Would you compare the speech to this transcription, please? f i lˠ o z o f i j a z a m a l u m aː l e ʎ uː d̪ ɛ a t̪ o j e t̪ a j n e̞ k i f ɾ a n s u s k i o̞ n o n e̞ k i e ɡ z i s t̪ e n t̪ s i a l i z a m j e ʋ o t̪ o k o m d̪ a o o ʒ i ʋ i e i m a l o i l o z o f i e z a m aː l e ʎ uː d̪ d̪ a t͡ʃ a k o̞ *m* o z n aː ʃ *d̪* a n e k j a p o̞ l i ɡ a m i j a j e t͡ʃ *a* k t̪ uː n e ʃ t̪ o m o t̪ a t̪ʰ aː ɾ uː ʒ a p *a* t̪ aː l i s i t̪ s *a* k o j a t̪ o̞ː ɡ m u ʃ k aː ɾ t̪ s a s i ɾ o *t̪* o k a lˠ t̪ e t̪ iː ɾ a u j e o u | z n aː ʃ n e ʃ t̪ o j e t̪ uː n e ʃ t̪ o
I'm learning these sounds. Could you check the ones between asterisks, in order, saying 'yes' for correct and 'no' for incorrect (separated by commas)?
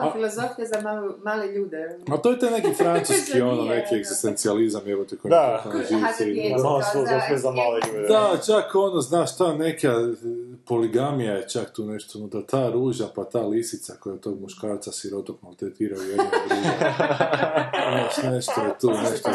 no, no, yes, yes, yes, yes